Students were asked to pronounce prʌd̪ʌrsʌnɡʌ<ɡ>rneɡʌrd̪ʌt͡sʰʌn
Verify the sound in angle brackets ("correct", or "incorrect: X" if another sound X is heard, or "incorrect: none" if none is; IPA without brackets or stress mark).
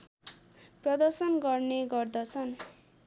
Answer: incorrect: none